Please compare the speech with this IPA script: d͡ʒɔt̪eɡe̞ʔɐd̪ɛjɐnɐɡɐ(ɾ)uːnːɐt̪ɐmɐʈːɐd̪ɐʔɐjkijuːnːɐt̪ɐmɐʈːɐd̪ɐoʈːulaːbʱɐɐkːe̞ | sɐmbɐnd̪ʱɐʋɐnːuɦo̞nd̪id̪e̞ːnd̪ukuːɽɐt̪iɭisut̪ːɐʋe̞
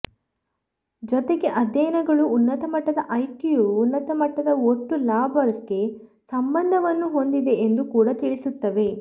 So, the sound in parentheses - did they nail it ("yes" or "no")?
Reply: no